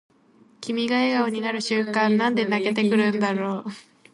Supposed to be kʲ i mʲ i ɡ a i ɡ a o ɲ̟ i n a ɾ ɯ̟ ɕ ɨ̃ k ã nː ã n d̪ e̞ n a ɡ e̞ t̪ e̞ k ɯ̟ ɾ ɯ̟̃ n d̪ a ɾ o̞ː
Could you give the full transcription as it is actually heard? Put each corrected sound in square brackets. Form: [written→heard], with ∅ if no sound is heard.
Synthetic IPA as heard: kʲ i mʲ i ɡ a [i→e] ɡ a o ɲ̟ i n a ɾ ɯ̟ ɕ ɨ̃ k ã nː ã n d̪ e̞ n a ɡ e̞ t̪ e̞ k ɯ̟ ɾ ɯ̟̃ n d̪ a ɾ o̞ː